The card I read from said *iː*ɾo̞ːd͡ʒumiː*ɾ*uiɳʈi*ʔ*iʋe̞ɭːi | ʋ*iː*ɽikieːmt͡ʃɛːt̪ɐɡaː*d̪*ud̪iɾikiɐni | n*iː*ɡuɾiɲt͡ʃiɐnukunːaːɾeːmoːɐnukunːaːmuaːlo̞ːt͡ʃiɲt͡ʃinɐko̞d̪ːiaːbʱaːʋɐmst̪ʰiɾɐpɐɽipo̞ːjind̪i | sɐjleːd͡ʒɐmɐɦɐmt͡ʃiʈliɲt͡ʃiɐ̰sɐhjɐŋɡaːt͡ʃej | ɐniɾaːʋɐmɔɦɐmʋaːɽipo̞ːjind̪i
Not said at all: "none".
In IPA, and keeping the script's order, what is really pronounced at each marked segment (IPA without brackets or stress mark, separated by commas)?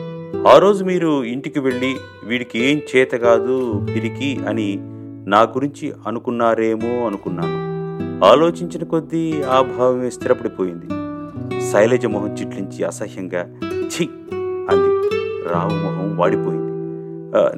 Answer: aː, ɾ, k, iː, d̪, aː